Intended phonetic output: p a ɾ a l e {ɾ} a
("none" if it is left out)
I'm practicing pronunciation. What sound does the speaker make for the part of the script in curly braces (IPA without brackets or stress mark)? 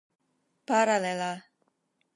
l